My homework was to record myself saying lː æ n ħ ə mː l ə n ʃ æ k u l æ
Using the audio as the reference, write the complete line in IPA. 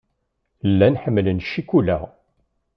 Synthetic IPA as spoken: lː æ n ħ ə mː l ə n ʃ i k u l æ